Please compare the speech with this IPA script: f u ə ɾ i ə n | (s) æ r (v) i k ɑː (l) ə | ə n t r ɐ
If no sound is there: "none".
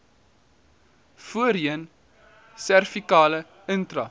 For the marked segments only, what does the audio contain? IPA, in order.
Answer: s, f, l

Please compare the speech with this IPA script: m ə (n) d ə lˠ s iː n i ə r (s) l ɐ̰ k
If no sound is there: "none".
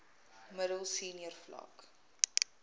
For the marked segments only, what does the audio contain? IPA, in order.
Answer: none, f

